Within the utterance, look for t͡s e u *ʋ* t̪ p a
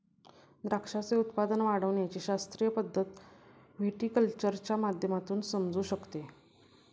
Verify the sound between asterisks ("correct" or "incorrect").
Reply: incorrect